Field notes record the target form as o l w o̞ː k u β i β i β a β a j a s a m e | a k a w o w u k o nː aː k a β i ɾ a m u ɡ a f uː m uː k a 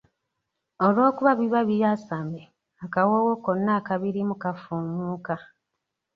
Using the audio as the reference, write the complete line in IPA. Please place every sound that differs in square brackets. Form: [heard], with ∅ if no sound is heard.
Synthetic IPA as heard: o l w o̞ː k u β [a] β i β a β [i] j a s a m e | a k a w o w [o] k o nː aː k a β i ɾ [i] m u [k] a f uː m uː k a